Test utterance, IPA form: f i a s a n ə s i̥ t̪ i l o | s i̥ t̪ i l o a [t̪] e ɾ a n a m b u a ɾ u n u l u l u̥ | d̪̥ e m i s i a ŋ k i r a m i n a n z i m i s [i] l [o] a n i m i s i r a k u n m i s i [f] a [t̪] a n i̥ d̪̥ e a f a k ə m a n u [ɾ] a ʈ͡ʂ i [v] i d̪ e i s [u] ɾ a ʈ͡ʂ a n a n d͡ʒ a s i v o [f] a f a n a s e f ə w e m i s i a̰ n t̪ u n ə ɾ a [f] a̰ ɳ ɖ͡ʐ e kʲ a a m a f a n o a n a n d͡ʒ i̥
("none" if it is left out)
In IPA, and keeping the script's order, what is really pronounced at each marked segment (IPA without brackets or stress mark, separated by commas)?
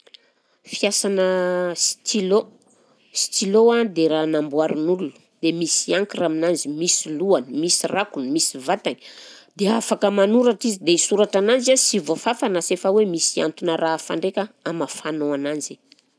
d̪, i, u, v, t̪, ɾ, z, u, f, f